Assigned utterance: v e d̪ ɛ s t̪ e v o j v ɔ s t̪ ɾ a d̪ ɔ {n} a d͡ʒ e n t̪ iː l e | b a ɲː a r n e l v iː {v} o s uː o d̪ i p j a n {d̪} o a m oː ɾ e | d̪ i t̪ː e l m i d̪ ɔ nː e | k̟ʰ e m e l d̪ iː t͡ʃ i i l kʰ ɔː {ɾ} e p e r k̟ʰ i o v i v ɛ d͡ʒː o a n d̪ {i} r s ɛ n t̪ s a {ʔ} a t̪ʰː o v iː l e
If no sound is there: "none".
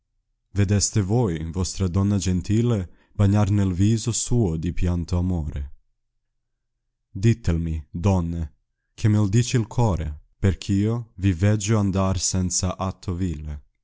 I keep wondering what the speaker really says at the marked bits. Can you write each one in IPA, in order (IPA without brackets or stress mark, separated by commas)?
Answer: nː, z, t̪, ɾ, a, ʔ